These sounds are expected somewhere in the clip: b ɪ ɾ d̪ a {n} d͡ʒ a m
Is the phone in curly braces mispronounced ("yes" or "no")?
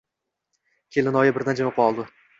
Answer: no